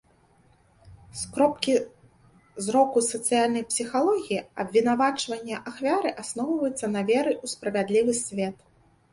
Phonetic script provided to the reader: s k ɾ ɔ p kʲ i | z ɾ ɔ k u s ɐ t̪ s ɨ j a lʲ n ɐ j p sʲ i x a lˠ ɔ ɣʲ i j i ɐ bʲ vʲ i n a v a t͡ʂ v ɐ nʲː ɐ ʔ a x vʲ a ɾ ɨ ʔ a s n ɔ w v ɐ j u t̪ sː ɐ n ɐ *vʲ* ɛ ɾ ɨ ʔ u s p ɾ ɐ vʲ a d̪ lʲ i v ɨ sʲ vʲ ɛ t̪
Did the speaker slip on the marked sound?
no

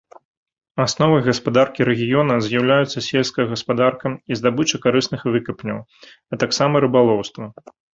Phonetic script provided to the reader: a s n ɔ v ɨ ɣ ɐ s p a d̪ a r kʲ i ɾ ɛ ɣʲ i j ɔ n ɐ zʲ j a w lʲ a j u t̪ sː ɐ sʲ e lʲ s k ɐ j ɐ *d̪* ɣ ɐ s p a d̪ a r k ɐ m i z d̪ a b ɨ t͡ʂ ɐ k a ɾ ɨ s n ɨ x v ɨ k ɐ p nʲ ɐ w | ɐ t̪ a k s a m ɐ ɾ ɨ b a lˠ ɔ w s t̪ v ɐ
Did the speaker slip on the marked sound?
yes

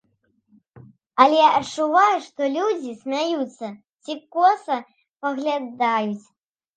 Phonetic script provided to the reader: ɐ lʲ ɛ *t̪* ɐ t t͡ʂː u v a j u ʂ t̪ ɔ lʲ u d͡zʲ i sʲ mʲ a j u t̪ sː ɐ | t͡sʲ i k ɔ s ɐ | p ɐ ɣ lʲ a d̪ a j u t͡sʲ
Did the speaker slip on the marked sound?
yes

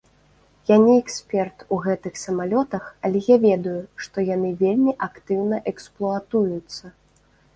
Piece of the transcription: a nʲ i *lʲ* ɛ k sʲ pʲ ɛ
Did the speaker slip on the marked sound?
yes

